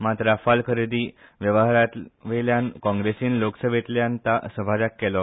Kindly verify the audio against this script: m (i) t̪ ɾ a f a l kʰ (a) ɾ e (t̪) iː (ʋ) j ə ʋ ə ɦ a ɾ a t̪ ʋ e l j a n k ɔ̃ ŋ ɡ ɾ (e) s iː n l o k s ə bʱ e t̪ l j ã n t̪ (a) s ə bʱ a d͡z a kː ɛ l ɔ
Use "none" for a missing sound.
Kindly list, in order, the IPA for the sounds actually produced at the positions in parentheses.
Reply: a, ə, d̪, ʋ, e, a

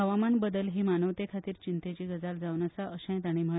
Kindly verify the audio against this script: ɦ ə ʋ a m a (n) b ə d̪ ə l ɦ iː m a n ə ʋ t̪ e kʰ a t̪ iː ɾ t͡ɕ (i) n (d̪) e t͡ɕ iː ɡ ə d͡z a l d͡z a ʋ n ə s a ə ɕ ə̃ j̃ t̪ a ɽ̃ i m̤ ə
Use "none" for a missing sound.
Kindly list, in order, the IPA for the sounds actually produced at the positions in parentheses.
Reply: n, i, t̪

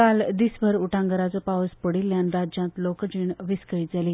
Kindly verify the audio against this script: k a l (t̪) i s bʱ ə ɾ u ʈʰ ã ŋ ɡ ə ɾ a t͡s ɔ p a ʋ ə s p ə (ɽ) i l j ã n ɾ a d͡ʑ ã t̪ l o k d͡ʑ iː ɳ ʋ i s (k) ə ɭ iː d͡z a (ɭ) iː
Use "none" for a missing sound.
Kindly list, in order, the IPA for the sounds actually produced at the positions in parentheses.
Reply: d̪, ɽ, k, l

